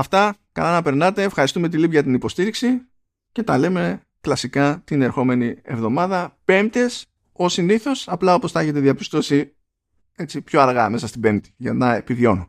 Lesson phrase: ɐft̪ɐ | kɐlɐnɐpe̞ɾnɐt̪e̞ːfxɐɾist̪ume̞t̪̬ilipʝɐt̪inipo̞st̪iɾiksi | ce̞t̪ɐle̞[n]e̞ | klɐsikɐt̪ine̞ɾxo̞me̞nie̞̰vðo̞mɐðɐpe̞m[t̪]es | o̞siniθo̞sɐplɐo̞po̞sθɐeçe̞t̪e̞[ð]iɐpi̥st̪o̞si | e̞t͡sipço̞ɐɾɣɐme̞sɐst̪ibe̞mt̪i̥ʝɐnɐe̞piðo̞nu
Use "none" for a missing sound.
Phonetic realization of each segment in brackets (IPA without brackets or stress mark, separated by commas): m, t̪, ð